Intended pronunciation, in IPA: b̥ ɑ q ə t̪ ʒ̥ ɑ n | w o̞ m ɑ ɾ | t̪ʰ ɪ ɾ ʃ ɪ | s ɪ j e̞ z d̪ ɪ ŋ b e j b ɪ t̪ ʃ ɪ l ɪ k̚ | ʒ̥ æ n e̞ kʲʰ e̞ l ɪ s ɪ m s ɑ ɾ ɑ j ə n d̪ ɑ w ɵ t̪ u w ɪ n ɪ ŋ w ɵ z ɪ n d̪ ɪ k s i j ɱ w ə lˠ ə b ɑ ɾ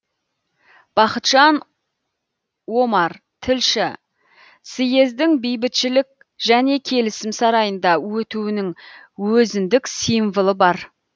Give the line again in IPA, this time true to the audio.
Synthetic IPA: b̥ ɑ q ə t̪ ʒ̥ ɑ n | w o̞ m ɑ ɾ | t̪ʰ ɪ l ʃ ɪ | s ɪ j e̞ z d̪ ɪ ŋ b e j b ɪ t̪ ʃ ɪ l ɪ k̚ | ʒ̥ æ n e̞ kʲʰ e̞ l ɪ s ɪ m s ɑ ɾ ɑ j ə n d̪ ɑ w ɵ t̪ u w ɪ n ɪ ŋ w ɵ z ɪ n d̪ ɪ k s i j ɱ v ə lˠ ə b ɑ ɾ

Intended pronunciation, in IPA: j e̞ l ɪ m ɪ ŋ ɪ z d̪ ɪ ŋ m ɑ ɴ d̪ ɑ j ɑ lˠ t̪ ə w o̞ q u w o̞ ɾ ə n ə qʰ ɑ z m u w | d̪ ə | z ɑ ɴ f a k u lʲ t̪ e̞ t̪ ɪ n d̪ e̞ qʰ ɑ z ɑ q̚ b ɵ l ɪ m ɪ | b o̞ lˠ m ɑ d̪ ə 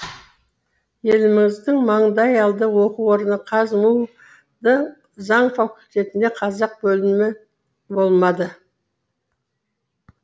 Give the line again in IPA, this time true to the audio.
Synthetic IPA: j e̞ l ɪ m ɪ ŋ ɪ z d̪ ɪ ŋ m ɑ ɴ d̪ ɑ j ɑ lˠ d̪ ə w o̞ q u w o̞ ɾ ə n ə qʰ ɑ z m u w | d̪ ə | z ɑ ɴ f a k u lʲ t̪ e̞ t̪ ɪ n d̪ e̞ qʰ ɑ z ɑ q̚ b ɵ l ɪ m ɪ | b o̞ lˠ m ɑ d̪ ə

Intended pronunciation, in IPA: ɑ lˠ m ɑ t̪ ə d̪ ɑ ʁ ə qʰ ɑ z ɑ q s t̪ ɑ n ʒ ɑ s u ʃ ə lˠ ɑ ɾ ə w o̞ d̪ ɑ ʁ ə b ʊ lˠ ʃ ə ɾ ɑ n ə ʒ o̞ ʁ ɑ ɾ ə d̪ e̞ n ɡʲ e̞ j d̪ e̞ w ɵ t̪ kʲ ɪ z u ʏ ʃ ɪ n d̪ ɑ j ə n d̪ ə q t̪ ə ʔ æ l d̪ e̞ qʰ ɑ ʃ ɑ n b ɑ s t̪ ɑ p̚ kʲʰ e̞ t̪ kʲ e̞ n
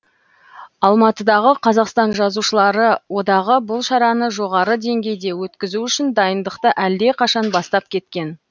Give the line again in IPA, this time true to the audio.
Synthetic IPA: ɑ lˠ m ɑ t̪ ə d̪ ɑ ʁ ə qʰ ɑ z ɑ q s t̪ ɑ n ʒ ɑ z u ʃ ə lˠ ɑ ɾ ə w o̞ d̪ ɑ ʁ ə b ʊ lˠ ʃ ɑ ɾ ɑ n ə ʒ o̞ ʁ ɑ ɾ ə d̪ e̞ ŋ ɡʲ e̞ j d̪ e̞ w ɵ t̪ kʲ ɪ z u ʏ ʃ ɪ n d̪ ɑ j ə n d̪ ə q t̪ ə ʔ æ l d̪ e̞ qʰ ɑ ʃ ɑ n b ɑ s t̪ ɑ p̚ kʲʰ e̞ t̪ kʲ e̞ n

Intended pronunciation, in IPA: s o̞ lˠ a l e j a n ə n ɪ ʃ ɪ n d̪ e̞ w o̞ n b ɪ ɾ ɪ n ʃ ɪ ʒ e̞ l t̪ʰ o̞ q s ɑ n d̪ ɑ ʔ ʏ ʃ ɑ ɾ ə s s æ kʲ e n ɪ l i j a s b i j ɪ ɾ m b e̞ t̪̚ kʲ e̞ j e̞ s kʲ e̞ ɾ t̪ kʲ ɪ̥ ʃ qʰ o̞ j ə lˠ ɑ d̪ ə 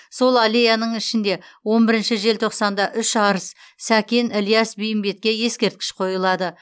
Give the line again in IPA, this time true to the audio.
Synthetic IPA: s o̞ lˠ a l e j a n ə ɴ ɪ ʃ ɪ n d̪ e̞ w o̞ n b ɪ ɾ ɪ n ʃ ɪ ʒ e̞ l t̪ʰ o̞ q s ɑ n d̪ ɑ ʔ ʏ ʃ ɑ ɾ ə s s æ kʲ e n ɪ l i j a s b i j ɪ m b e̞ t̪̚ kʲ e̞ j e̞ s kʲ e̞ ɾ t̪ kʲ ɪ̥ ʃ qʰ o̞ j ə lˠ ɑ d̪ ə

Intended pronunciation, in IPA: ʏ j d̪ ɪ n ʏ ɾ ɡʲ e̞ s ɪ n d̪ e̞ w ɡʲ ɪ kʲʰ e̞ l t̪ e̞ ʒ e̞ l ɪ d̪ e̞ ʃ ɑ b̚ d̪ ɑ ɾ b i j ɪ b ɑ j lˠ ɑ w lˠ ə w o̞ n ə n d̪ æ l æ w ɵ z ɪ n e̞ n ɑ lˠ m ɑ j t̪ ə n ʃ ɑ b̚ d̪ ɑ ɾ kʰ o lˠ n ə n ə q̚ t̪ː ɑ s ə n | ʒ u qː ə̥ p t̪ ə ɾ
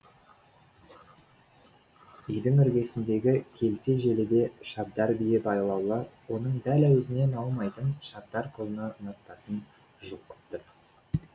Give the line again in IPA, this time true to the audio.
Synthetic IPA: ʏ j d̪ ɪ ŋ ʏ ɾ ɡʲ e̞ s ɪ n d̪ e̞ ɡʲ ɪ kʲʰ e̞ l t̪ e̞ ʒ e̞ l ɪ d̪ e̞ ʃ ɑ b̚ d̪ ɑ ɾ b i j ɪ b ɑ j lˠ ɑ w lˠ ə w o̞ n ə ɴ d̪ æ l æ w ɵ z ɪ n e̞ n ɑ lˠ m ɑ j t̪ ə n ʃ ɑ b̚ d̪ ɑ ɾ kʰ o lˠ n ə n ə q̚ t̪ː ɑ s ə n | ʒ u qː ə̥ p t̪ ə ɾ

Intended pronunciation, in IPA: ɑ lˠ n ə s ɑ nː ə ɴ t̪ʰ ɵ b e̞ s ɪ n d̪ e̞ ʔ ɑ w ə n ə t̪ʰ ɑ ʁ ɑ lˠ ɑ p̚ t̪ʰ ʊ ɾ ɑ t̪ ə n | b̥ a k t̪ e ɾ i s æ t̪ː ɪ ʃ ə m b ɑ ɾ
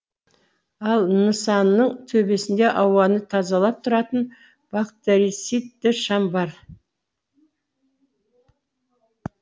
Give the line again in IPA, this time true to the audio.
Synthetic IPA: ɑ lˠ n ə s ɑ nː ə ɴ t̪ʰ ɵ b e̞ s ɪ n d̪ e̞ ʔ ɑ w ɑ n ə t̪ʰ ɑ z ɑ lˠ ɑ p̚ t̪ʰ ʊ ɾ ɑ t̪ ə n | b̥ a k t̪ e ɾ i s i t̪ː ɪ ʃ ɑ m b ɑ ɾ

